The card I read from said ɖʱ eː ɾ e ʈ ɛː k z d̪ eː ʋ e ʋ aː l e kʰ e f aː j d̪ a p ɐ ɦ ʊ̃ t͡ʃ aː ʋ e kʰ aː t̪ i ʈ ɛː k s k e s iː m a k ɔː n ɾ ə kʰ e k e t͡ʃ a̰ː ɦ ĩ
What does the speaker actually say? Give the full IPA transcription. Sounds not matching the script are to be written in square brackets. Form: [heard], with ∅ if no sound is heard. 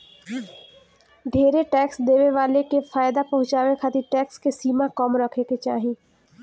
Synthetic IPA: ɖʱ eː ɾ e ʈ ɛː k [s] d̪ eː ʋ e ʋ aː l e [k] e f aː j d̪ a p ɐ ɦ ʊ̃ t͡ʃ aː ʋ e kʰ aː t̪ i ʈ ɛː k s k e s iː m a k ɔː [m] ɾ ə kʰ e k e t͡ʃ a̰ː ɦ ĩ